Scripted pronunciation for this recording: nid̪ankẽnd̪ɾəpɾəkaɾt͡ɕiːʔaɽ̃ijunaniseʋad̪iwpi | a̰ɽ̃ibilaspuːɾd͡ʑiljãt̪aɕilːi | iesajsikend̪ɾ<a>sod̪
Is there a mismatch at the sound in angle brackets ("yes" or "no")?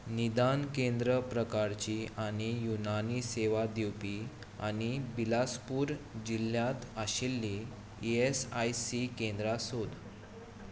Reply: no